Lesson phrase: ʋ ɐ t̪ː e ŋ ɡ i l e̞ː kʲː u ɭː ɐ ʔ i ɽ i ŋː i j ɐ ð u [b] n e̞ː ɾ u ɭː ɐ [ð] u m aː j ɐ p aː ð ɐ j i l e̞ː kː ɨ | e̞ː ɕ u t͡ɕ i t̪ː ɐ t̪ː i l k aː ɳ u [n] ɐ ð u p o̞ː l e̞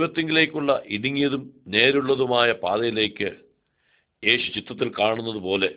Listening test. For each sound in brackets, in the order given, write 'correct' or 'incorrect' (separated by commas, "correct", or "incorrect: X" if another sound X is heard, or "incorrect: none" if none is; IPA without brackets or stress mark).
incorrect: m, correct, incorrect: nː